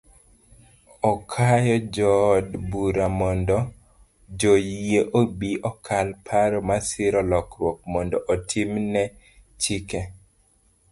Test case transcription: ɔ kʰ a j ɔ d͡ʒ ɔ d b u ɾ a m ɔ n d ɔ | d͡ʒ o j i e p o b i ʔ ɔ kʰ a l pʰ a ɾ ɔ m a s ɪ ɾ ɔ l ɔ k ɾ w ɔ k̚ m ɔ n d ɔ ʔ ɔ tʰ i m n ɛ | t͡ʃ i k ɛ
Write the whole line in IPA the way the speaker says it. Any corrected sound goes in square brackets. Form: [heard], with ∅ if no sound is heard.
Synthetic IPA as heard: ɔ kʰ a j ɔ d͡ʒ ɔ d b u ɾ a m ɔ n d ɔ | d͡ʒ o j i e [ʔ] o b i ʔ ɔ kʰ a l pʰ a ɾ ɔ m a s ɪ ɾ ɔ l ɔ k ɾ w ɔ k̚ m ɔ n d ɔ ʔ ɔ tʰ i m n ɛ | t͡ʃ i k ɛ